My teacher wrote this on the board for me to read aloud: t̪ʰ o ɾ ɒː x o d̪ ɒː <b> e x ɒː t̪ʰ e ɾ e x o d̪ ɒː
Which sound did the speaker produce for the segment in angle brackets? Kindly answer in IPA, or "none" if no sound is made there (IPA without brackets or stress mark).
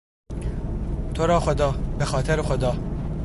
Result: b